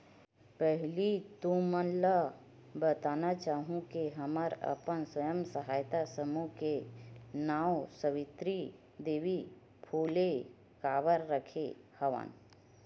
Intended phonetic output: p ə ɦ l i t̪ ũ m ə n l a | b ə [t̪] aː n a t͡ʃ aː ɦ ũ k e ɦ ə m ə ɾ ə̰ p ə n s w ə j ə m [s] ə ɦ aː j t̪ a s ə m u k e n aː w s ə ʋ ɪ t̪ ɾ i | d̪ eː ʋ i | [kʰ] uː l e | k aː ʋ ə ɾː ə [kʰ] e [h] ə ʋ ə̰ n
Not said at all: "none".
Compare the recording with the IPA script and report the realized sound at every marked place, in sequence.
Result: t̪, s, pʰ, kʰ, h

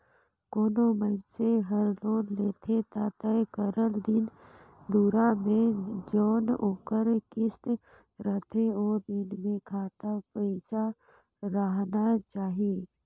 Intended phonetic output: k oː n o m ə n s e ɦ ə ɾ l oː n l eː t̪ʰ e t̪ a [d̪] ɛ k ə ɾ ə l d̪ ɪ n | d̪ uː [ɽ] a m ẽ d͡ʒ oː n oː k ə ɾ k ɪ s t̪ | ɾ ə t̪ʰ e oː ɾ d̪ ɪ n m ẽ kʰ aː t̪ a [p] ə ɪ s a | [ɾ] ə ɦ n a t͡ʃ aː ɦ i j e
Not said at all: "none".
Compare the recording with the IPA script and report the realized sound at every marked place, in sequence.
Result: t̪, ɾ, p, ɾ

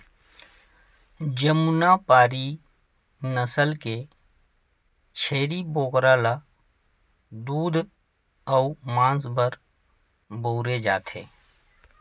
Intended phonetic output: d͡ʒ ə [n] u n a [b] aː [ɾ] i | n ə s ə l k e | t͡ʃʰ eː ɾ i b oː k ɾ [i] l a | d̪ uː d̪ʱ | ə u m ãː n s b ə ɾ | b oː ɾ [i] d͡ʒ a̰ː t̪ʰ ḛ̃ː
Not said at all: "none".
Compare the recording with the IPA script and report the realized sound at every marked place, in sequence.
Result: m, p, ɾ, a, e

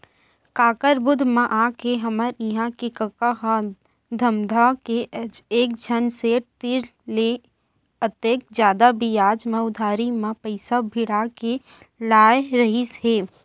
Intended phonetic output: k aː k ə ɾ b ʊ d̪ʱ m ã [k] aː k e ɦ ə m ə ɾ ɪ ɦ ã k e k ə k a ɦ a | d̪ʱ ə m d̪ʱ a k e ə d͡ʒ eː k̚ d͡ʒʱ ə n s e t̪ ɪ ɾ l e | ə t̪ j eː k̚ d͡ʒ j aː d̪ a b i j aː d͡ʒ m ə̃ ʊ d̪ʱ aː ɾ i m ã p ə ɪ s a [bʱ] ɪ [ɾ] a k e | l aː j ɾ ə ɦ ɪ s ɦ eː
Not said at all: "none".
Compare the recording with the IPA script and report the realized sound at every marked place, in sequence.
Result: ʔ, bʱ, ɽ

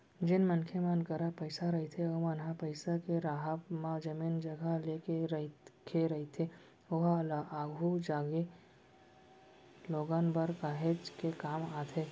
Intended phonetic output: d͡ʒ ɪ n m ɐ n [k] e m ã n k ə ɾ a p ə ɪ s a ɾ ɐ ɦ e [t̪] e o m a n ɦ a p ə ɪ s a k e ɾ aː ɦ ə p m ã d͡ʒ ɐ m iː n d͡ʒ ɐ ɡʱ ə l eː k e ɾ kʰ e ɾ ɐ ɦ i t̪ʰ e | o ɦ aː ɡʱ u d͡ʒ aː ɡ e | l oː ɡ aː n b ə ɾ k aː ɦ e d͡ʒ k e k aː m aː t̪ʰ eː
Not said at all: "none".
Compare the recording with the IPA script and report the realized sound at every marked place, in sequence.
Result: kʰ, t̪ʰ

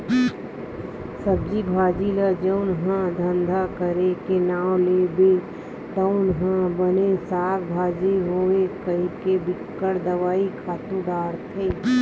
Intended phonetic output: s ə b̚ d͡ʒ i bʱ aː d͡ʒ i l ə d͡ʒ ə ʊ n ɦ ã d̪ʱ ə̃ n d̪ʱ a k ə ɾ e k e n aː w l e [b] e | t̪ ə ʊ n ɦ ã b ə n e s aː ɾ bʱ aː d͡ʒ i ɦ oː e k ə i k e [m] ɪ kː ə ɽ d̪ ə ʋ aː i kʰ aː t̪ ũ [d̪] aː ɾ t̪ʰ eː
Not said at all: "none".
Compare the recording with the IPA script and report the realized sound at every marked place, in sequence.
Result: b, b, d̪

